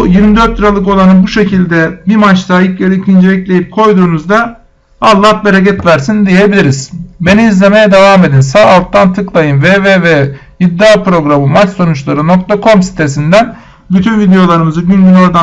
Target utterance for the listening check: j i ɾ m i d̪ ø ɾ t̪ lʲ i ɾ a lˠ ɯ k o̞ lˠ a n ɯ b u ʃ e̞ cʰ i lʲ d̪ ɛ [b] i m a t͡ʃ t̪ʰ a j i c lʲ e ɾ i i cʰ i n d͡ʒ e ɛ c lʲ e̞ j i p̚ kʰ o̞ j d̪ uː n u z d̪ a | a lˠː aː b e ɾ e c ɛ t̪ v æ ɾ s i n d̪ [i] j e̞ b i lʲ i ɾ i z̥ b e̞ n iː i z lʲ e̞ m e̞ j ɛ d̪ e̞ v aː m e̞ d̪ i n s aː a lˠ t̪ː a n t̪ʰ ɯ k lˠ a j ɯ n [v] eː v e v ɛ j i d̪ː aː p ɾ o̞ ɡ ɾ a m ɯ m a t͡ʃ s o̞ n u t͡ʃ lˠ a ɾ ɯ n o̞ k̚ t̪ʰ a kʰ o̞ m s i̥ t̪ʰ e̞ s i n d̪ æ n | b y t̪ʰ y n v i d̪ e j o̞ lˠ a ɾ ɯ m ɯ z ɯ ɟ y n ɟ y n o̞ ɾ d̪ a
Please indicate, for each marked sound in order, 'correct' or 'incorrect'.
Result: correct, correct, correct

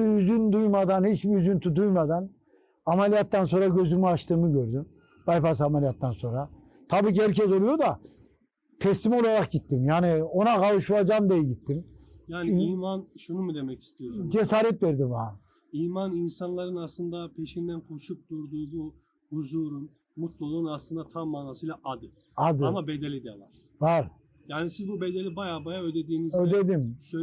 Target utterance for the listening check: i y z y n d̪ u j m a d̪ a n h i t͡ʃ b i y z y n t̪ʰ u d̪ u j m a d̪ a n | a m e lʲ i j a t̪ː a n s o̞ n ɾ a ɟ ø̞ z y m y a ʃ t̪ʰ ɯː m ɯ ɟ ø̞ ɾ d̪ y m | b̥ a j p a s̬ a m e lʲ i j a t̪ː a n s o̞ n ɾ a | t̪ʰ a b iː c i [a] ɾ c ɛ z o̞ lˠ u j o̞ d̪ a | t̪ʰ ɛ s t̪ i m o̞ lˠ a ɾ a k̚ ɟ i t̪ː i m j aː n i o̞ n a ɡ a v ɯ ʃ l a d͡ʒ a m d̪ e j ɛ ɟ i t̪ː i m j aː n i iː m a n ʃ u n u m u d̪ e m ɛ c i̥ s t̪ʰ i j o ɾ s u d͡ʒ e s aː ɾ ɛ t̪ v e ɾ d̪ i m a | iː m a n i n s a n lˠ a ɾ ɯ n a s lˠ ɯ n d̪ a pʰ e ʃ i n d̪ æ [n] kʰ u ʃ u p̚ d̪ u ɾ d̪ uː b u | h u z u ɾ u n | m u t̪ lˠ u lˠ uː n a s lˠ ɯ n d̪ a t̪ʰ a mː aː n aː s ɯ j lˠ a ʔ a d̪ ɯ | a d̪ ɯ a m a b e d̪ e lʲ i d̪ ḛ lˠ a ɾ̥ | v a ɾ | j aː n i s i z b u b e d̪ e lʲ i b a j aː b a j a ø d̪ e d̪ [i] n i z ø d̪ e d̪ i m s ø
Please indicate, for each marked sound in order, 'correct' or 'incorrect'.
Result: incorrect, correct, incorrect

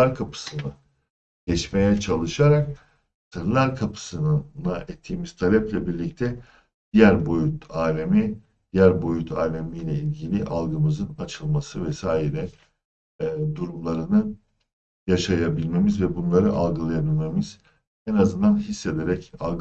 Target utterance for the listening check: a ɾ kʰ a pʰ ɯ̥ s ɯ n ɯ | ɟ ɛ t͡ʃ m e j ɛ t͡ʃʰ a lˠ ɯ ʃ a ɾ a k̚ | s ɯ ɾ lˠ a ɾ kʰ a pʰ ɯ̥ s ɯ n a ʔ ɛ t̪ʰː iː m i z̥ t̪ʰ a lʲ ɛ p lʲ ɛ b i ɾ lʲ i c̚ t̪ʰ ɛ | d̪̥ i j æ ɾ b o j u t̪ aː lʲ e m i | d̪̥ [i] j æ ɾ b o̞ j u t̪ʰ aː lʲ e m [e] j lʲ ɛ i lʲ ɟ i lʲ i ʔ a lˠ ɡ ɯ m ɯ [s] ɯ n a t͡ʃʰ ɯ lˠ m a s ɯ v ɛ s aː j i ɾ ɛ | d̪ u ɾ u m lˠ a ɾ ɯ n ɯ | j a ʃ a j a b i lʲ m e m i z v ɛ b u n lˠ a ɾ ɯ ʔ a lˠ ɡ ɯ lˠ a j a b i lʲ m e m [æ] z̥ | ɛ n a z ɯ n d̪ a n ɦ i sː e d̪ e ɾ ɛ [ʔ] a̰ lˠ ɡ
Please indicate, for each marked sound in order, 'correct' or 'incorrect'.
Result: correct, incorrect, incorrect, incorrect, incorrect

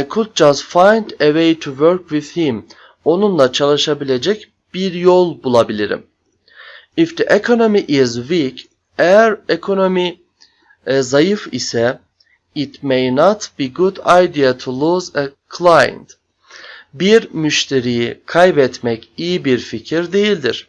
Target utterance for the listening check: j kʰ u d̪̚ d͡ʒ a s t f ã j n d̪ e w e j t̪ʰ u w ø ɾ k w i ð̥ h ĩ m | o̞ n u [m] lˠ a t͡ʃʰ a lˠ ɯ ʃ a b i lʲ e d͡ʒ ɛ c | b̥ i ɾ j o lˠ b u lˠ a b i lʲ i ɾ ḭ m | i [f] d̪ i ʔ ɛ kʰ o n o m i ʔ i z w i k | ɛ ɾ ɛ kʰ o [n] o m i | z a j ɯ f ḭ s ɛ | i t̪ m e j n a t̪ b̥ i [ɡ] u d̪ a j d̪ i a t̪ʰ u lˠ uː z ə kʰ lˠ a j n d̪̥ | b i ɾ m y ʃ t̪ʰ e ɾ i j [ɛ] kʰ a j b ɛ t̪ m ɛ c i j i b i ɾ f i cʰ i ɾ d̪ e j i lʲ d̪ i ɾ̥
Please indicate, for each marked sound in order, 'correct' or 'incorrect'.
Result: incorrect, correct, correct, correct, incorrect

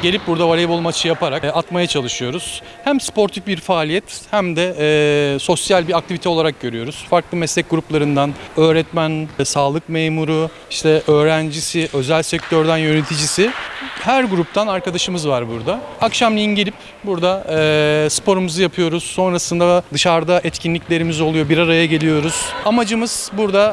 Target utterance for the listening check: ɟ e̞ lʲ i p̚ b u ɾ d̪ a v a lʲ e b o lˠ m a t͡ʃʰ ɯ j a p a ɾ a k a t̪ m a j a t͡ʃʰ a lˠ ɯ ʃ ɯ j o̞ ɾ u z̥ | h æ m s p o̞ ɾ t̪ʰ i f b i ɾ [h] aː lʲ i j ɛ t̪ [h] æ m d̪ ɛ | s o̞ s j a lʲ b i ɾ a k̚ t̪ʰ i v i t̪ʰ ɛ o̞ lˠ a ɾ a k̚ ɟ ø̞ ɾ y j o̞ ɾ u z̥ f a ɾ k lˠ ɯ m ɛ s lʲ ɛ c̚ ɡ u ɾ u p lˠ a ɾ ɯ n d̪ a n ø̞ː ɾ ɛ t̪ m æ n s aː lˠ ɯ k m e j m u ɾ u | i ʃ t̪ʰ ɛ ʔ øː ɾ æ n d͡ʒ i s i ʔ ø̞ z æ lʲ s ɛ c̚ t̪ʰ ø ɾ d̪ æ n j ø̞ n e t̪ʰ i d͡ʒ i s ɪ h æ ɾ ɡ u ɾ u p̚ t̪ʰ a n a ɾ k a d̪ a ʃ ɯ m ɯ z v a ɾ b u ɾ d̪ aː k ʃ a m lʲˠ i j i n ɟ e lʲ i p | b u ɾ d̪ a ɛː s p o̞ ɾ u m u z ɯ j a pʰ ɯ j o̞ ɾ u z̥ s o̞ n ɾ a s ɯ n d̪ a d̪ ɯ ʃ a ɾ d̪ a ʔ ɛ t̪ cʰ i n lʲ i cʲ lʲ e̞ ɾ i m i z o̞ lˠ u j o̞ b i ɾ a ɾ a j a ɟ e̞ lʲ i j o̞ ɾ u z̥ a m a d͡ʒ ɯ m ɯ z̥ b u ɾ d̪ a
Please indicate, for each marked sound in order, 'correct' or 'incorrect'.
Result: incorrect, correct

